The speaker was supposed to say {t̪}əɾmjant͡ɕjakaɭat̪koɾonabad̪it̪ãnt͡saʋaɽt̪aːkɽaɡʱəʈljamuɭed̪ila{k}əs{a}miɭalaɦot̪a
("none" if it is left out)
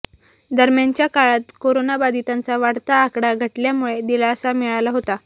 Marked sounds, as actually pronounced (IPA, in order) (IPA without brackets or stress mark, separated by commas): d̪, none, a